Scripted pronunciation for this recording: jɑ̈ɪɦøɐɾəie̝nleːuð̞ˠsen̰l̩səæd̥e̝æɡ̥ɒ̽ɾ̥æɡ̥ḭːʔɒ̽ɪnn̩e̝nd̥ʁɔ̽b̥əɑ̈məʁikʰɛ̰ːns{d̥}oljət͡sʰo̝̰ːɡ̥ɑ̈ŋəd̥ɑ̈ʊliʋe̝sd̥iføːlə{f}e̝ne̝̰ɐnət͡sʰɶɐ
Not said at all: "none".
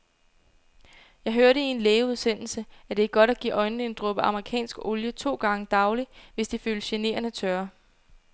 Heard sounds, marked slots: ɡ̥, ɕ

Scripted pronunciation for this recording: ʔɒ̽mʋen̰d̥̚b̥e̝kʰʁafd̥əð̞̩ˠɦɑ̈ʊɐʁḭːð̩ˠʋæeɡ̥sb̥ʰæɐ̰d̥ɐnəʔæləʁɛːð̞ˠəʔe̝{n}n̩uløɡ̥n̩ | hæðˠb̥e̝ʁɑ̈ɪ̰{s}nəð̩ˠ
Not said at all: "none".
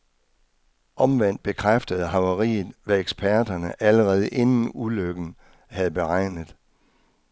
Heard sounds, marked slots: n, none

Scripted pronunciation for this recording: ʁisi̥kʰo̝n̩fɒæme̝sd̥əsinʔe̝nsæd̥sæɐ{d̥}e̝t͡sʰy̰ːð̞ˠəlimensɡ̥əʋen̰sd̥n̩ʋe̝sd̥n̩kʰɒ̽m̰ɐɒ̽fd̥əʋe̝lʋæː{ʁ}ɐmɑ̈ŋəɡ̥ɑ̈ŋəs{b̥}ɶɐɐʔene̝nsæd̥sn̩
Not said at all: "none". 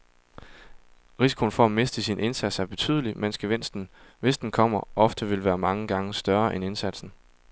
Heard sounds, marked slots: b̥, none, d̥

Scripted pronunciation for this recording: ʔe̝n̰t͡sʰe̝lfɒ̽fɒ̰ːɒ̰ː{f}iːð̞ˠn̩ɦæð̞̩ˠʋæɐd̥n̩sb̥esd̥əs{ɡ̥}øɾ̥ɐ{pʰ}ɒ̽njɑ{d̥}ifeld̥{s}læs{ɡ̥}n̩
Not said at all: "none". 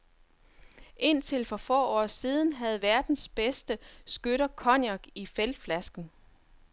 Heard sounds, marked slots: s, ɡ̥, kʰ, ɡ̥, f, ɡ̥

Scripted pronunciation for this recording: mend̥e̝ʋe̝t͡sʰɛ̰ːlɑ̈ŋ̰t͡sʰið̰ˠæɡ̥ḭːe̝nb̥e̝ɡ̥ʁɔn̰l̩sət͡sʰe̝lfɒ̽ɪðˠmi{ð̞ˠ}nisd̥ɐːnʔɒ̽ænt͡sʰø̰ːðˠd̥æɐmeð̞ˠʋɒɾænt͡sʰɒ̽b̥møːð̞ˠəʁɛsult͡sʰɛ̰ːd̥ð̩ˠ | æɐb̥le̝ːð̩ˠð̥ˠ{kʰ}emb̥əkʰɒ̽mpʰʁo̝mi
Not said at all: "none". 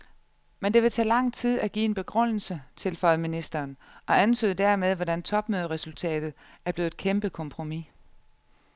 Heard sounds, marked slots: none, kʰ

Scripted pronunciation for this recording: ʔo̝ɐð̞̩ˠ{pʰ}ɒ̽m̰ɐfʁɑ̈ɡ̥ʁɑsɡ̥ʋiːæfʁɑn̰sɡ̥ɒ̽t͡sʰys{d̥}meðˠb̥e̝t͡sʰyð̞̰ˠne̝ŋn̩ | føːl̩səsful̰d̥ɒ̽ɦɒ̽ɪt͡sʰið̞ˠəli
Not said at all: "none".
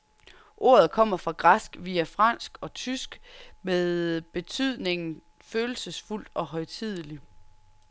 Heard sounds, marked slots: kʰ, ɡ̥

